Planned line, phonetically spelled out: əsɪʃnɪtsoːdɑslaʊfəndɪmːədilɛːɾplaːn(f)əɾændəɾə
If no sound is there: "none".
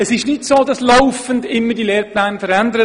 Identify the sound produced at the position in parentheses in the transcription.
f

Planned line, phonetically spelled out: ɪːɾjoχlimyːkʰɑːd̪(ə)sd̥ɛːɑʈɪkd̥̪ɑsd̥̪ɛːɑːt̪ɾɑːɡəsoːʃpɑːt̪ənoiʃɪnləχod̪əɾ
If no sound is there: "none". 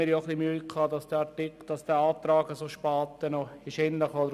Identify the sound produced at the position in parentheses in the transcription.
ɑ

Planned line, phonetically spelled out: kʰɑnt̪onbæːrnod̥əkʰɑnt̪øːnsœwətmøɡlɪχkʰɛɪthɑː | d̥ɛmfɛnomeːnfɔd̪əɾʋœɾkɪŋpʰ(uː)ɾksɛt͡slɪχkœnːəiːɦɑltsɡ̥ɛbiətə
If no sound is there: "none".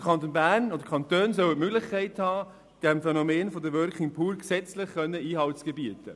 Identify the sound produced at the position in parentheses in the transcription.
uː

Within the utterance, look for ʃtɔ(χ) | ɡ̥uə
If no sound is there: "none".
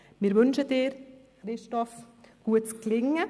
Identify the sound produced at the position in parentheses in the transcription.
f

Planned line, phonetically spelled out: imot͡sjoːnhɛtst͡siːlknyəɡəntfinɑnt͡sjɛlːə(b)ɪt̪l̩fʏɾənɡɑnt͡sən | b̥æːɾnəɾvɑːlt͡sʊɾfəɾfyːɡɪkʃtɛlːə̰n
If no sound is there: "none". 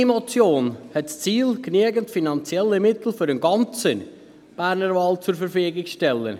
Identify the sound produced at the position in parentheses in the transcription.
m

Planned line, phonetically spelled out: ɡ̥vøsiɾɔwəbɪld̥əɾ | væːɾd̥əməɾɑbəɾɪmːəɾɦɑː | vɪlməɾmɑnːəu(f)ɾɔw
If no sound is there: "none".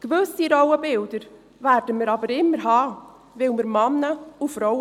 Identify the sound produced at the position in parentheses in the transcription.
f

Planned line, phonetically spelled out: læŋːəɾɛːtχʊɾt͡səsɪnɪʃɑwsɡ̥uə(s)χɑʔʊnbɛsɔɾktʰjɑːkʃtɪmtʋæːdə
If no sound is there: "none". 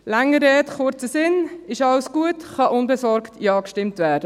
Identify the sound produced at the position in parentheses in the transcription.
t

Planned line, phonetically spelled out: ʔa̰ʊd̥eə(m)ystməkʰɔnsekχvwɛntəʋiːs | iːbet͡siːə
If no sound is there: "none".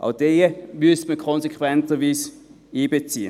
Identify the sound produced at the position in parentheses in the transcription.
m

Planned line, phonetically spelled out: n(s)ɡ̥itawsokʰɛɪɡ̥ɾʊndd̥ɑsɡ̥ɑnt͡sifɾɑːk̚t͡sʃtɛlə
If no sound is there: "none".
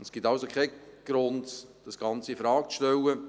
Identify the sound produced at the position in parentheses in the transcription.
s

